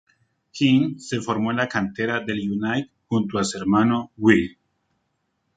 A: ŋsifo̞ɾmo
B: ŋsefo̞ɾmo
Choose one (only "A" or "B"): B